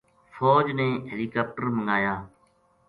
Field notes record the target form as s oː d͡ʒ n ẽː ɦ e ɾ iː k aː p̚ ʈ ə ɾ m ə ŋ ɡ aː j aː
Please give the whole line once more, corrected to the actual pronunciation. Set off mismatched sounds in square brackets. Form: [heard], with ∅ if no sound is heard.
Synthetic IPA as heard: [f] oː d͡ʒ n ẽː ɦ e [l] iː k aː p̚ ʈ ə ɾ m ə ŋ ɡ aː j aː